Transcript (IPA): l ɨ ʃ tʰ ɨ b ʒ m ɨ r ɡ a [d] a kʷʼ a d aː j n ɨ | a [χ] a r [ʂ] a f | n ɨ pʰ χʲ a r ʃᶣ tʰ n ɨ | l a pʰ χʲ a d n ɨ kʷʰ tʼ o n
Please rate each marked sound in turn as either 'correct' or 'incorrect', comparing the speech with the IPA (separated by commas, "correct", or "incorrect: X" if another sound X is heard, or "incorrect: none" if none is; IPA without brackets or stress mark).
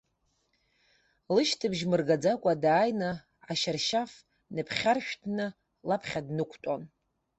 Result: incorrect: d͡z, incorrect: ʃ, incorrect: ʃ